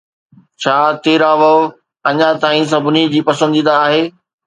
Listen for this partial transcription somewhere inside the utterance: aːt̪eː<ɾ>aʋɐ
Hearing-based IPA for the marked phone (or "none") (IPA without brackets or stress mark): ɾ